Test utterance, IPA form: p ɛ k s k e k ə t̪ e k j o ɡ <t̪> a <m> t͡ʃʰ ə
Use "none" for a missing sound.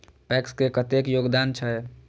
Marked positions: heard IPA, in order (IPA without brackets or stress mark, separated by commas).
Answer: d̪, n